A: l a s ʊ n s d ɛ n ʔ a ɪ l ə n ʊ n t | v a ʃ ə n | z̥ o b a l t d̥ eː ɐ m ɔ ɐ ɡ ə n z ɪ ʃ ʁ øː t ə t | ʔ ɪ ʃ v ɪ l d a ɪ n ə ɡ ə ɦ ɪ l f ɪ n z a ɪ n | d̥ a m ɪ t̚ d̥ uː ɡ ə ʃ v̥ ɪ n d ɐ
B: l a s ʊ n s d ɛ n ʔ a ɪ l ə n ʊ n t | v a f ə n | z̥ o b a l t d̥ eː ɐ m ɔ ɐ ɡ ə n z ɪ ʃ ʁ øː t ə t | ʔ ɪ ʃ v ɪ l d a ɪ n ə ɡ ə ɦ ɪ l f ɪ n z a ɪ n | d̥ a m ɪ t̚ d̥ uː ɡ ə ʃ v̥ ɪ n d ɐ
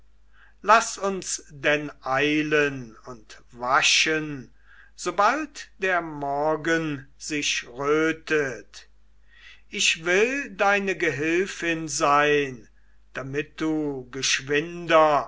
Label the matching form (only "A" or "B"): A